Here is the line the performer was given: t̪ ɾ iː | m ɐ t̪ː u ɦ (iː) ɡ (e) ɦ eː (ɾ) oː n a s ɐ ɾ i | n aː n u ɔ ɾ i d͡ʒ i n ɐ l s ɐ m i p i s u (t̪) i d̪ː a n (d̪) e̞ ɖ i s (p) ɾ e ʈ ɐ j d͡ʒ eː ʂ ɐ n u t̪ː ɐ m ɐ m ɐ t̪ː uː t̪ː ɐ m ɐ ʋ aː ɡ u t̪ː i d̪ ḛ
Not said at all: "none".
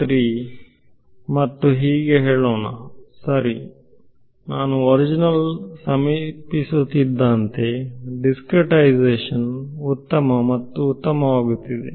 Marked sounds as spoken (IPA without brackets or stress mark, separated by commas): iː, e, ɭ, t̪, t̪, k